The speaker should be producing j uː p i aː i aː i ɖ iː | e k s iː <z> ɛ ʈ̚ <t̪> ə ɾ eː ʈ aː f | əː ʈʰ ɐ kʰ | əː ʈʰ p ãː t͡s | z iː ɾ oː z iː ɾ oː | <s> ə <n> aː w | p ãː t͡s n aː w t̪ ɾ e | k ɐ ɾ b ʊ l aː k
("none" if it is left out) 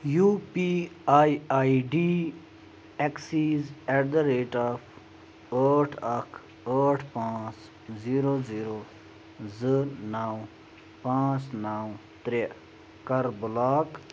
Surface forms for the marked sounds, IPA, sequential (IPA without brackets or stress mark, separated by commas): z, d̪, z, n